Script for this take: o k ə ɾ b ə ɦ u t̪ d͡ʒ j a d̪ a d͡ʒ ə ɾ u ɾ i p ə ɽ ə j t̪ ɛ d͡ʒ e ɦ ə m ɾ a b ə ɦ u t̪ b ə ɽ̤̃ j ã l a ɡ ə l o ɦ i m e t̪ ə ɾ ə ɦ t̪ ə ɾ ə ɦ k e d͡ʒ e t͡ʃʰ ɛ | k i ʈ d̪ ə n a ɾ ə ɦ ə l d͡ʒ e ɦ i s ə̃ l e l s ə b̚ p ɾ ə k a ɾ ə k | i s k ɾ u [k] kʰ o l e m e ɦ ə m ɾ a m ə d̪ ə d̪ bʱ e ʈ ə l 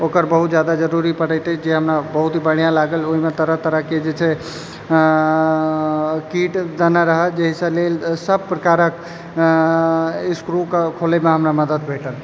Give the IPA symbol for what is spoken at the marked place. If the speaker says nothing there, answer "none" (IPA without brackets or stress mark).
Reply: k